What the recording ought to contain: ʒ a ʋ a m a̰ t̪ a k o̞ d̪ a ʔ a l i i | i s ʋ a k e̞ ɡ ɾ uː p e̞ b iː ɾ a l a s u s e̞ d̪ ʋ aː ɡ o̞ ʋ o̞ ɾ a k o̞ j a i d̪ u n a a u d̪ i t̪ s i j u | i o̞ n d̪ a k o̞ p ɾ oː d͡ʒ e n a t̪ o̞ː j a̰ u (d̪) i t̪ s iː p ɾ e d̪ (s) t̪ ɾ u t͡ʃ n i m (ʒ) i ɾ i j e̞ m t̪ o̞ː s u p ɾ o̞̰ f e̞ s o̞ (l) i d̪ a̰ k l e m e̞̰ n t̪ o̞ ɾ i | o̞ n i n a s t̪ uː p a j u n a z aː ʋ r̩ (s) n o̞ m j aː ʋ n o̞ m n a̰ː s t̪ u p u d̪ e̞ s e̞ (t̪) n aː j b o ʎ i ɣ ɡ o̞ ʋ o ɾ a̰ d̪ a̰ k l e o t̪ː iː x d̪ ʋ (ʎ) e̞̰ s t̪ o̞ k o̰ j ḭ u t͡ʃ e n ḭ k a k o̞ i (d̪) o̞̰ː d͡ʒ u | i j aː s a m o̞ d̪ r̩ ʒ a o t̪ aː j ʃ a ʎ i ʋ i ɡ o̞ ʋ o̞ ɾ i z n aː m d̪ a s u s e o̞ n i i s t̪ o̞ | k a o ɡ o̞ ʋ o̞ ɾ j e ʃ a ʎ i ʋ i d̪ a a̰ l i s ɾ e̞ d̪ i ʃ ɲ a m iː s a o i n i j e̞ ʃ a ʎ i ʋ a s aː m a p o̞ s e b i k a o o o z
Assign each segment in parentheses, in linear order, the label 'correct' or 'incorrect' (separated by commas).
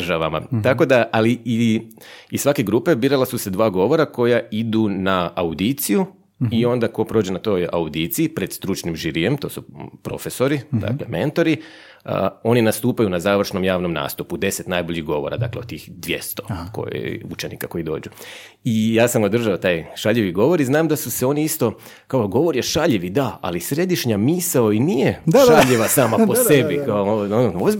correct, correct, correct, incorrect, incorrect, correct, incorrect, correct